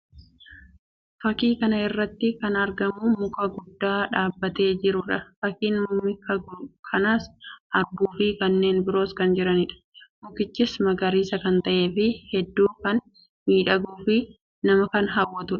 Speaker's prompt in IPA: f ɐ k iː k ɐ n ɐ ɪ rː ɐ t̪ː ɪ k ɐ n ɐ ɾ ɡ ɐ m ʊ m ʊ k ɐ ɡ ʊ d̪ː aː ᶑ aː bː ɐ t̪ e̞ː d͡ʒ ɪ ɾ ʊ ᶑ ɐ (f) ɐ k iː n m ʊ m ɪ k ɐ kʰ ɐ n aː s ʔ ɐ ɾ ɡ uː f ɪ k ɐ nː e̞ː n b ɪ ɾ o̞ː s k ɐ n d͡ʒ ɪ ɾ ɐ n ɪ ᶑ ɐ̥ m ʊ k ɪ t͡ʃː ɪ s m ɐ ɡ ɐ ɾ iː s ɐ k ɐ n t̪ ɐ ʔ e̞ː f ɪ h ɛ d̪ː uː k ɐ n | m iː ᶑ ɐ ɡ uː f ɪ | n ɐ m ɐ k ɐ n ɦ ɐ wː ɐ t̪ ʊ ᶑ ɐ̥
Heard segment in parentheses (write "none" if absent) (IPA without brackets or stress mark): f